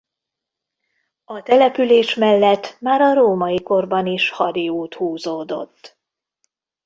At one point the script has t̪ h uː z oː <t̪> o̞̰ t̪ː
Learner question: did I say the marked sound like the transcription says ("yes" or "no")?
no